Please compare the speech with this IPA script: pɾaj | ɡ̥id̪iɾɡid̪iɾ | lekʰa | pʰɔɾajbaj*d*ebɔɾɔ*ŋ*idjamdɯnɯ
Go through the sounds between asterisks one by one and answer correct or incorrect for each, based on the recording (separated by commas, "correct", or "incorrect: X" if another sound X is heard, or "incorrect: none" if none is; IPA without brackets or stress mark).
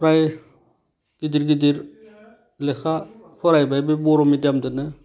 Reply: incorrect: b, incorrect: m